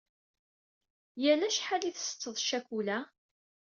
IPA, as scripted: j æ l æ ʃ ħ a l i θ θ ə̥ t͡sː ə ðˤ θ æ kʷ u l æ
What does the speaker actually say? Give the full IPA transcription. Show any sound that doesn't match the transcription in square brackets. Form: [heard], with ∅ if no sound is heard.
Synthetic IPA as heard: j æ l æ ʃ ħ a l i θ [s] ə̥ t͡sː ə ðˤ [ʃ] æ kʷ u l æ